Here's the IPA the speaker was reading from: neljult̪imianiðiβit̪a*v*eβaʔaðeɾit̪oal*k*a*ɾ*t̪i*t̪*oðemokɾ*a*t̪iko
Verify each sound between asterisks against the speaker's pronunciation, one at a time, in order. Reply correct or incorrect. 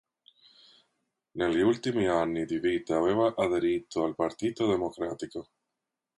incorrect: β, incorrect: p, correct, correct, correct

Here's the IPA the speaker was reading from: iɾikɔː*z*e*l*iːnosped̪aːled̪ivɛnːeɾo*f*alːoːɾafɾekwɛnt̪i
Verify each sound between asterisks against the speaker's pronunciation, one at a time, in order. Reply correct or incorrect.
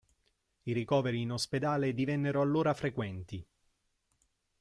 incorrect: v, incorrect: ɾ, incorrect: none

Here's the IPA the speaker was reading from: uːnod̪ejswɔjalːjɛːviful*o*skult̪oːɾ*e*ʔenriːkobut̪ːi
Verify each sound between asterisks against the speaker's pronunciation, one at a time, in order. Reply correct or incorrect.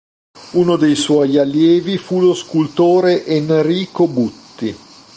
correct, correct

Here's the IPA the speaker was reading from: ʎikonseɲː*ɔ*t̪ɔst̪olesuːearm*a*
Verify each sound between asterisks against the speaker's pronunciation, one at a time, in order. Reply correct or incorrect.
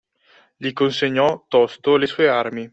correct, incorrect: i

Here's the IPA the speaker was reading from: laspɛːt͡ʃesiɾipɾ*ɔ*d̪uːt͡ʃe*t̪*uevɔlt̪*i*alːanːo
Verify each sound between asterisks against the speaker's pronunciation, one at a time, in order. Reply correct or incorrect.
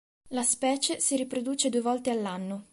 incorrect: o, incorrect: d̪, incorrect: e

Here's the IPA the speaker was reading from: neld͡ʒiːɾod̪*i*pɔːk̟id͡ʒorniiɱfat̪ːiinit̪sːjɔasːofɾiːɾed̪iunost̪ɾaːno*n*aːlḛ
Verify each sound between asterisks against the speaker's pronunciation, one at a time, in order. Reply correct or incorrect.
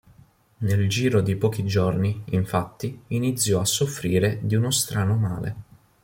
correct, incorrect: m

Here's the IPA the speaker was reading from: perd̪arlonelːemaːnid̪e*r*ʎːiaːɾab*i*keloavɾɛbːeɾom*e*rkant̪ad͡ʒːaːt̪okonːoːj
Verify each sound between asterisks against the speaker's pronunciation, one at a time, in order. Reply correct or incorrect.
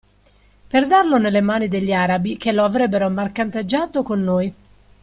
incorrect: none, correct, incorrect: a

